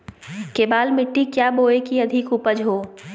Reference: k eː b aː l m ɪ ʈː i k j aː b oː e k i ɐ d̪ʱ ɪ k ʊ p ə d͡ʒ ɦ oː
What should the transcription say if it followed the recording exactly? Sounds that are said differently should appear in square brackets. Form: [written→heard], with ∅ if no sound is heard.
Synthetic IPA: k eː b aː l m ɪ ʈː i k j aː b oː e k i ɐ d̪ʱ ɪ k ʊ p ə d͡ʒ ɦ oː

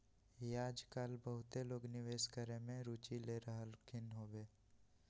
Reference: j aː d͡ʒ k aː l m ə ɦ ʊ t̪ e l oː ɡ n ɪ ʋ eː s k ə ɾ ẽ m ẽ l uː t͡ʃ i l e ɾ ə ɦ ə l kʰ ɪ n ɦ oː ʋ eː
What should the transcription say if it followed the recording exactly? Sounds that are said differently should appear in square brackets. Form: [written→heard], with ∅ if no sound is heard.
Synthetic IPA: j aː d͡ʒ k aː l [m→b] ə ɦ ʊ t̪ e l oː ɡ n ɪ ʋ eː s k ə ɾ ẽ m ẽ [l→ɾ] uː t͡ʃ i l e ɾ ə ɦ ə l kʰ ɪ n ɦ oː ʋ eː

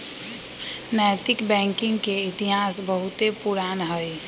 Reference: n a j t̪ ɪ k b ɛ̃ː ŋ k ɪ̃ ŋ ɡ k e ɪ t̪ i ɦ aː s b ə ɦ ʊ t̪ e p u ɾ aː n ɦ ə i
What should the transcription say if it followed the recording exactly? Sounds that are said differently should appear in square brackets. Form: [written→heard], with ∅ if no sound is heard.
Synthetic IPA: n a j t̪ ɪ k b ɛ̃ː ŋ k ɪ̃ ŋ ɡ k e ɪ t̪ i ɦ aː s b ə ɦ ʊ t̪ e p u ɾ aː n ɦ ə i

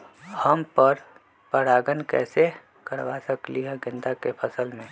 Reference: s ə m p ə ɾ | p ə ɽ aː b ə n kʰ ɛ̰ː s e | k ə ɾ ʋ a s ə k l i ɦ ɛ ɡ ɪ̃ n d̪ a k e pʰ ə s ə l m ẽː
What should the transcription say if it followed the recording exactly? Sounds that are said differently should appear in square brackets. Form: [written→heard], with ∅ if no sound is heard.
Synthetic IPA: [s→h] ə m p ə ɾ | p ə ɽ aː [b→ɡ] ə n [kʰ→k] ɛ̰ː s e | k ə ɾ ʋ a s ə k l i ɦ ɛ ɡ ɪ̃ n d̪ a k e pʰ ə s ə l m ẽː

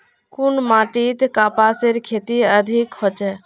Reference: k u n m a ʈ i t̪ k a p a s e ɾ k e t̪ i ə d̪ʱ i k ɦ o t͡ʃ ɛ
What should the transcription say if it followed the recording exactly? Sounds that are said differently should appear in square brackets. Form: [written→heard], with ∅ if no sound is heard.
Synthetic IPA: k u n m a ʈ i t̪ k a p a s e ɾ [k→kʰ] e t̪ i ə d̪ʱ i k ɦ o t͡ʃ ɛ

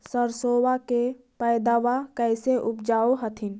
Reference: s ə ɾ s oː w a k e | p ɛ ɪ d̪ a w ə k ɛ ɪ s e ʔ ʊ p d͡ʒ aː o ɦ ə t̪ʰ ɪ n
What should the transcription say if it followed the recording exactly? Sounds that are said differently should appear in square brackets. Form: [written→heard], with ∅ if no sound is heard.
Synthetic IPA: s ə ɾ s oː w a k e | p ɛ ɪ d̪ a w [ə→a] k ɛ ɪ s e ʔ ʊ p d͡ʒ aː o ɦ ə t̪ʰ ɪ n

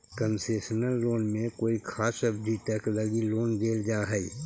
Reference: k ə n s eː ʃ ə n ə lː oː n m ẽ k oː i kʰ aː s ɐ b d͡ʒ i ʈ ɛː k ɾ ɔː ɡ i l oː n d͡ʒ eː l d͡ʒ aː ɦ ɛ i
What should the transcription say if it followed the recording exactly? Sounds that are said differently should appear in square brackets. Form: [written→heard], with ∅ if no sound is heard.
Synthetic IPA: k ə n s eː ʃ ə n ə lː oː n m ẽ k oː i kʰ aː s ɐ b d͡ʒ i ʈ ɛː k [ɾ→l] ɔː ɡ i l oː n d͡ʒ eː l d͡ʒ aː ɦ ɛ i

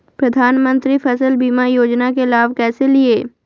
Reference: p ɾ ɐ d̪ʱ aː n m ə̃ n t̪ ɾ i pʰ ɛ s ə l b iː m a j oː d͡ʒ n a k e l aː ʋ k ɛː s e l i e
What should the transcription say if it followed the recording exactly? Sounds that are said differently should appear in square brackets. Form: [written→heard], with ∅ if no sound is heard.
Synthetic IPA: p ɾ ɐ d̪ʱ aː n m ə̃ n t̪ ɾ i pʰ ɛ s ə l b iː m a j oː d͡ʒ n a k e l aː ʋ k ɛː s e l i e

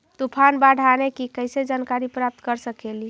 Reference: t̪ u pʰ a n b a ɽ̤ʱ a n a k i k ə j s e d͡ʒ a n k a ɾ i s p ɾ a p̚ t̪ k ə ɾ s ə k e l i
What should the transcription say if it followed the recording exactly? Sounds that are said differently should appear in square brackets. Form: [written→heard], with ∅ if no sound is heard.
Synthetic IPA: t̪ u pʰ a n b a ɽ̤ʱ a n [a→e] k i k ə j s e d͡ʒ a n k a ɾ i [s→∅] p ɾ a p̚ t̪ k ə ɾ s ə k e l i

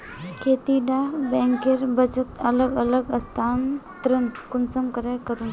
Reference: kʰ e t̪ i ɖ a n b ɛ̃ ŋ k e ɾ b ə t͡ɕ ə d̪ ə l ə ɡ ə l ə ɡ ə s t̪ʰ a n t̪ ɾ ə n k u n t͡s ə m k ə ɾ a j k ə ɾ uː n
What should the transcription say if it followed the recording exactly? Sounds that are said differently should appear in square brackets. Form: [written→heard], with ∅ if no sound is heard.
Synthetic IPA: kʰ e t̪ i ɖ a [n→∅] b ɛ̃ ŋ k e ɾ b ə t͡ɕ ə [d̪→t̪] ə l ə ɡ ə l ə ɡ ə s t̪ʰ a n t̪ ɾ ə n k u n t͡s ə m k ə ɾ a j k ə ɾ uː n

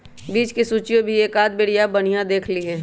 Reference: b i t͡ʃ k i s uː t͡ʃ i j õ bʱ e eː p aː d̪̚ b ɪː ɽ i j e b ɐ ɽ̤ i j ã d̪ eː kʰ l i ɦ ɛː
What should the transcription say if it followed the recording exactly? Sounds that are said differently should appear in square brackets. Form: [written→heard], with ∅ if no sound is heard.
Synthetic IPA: b [i→iː] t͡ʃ k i s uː t͡ʃ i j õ bʱ [e→i] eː [p→k] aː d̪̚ b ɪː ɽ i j [e→a] b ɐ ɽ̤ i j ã d̪ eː kʰ l i ɦ ɛː

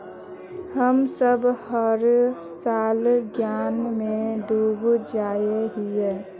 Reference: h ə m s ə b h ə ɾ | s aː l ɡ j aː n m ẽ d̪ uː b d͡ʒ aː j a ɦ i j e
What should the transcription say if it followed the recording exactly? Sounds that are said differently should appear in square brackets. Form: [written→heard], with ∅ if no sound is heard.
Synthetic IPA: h ə m s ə b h ə ɾ | s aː l ɡ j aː n m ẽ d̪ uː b d͡ʒ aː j [a→e] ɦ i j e

